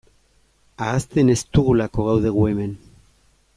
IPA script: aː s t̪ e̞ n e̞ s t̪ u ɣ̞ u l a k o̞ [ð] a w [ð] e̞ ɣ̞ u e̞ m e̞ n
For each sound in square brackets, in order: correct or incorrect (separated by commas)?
incorrect, correct